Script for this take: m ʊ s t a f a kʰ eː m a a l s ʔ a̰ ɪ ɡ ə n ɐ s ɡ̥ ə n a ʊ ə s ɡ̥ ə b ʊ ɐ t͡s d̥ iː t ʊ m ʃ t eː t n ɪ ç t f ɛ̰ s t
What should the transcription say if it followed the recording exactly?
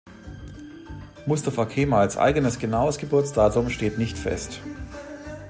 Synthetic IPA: m ʊ s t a f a kʰ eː m a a l s ʔ a̰ ɪ ɡ ə n ə s ɡ̥ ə n a ʊ ə s ɡ̥ ə b ʊ ɐ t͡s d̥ aː t ʊ m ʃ t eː t n ɪ ç t f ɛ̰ s t